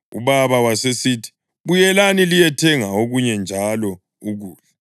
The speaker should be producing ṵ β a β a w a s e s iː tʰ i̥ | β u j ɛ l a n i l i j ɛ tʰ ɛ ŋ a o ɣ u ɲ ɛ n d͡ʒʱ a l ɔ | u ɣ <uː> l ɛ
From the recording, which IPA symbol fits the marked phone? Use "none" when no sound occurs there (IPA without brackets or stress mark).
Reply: uː